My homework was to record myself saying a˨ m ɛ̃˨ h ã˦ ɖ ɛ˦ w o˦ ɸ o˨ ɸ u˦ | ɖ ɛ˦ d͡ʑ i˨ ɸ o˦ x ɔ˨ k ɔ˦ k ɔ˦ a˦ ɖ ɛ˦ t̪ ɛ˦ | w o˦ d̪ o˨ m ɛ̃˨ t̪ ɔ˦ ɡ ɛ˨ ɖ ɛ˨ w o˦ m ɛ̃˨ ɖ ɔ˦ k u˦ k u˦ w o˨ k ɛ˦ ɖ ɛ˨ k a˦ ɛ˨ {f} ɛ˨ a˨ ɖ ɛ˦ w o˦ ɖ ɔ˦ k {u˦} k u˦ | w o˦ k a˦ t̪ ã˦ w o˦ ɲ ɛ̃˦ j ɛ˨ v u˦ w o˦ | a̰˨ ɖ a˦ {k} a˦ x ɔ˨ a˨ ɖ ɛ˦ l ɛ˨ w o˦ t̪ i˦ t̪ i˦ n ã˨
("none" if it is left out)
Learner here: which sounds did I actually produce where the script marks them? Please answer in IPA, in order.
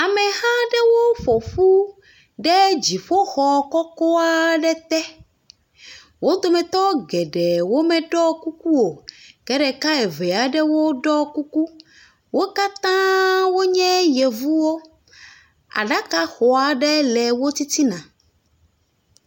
v, u˦, k

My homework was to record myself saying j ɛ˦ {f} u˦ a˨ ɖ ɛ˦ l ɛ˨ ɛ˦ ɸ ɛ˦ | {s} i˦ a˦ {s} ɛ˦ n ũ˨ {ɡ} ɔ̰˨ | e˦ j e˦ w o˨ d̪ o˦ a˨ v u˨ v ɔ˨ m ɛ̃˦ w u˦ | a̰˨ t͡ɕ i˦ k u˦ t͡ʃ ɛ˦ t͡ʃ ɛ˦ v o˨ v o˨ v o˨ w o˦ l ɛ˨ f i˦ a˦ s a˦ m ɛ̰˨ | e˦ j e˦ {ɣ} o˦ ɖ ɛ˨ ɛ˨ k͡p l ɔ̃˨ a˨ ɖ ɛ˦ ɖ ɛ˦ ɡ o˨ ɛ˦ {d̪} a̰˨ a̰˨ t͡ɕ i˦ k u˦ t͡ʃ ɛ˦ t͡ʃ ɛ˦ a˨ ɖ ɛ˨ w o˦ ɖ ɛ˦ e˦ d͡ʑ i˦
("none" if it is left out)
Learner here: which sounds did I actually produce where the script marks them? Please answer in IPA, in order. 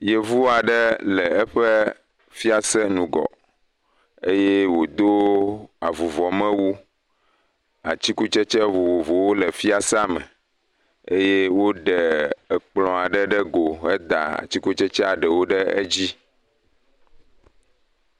v, f, s, ɡ, w, d̪

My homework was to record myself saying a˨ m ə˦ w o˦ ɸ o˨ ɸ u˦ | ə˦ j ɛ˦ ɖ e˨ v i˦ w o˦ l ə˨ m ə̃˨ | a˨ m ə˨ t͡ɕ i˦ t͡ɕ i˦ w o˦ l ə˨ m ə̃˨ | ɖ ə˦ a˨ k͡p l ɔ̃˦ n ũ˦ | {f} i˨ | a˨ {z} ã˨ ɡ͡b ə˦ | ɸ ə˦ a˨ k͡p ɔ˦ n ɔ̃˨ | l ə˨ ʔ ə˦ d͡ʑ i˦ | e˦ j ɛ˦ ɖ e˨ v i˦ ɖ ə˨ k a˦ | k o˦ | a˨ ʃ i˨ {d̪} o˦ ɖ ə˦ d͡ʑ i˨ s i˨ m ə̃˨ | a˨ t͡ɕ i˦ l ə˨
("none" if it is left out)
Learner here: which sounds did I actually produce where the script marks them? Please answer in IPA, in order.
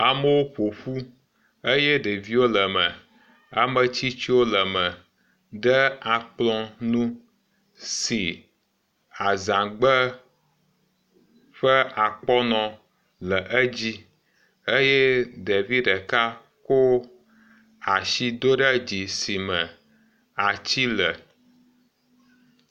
s, z, d̪

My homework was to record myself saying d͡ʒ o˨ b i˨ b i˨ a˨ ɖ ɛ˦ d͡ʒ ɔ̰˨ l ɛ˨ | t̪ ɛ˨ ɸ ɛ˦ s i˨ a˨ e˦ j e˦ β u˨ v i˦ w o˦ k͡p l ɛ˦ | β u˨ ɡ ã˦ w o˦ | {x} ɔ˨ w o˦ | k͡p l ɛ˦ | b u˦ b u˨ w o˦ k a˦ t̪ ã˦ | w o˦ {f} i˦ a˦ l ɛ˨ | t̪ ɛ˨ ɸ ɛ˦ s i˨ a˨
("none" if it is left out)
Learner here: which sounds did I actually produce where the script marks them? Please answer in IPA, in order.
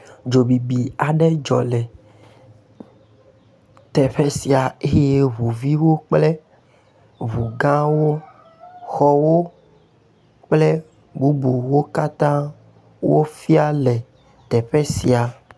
x, f

